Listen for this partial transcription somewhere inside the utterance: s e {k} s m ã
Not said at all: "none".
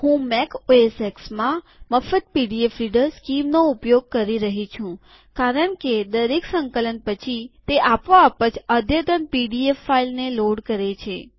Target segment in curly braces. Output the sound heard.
k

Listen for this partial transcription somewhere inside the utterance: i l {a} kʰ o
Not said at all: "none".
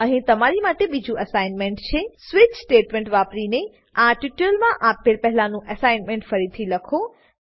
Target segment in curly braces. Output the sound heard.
ə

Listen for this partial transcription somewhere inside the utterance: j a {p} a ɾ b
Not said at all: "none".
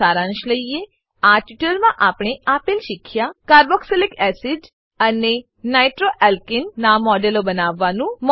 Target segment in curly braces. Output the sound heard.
k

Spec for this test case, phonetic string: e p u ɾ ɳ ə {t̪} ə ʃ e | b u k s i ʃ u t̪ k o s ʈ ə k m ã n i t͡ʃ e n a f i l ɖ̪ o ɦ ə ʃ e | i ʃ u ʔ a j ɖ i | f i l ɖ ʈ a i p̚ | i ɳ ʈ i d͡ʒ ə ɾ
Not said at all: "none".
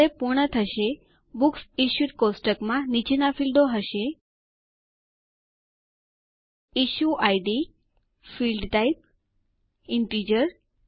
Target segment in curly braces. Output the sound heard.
t̪ʰ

